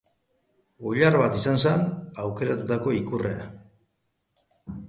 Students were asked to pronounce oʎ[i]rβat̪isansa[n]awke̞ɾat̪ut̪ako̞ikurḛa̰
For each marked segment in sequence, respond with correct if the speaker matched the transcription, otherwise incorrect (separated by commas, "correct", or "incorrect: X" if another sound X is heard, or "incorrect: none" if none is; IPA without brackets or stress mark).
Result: incorrect: a, correct